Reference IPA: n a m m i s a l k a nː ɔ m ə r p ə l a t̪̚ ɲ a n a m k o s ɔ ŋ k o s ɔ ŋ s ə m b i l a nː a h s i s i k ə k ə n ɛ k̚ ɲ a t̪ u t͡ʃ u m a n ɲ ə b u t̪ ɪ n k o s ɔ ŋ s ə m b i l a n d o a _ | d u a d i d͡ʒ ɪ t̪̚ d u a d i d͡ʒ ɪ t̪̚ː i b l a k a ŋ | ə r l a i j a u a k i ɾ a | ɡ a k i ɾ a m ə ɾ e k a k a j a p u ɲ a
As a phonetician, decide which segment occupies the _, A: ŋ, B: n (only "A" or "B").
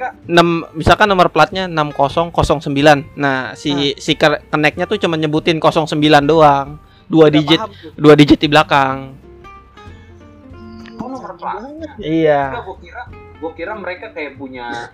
A